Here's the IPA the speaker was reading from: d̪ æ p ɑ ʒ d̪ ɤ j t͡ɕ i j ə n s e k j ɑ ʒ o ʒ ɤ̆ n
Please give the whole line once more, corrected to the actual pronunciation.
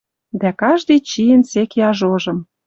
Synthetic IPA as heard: d̪ æ k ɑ ʒ d̪ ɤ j t͡ɕ i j ə n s e k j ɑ ʒ o ʒ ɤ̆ m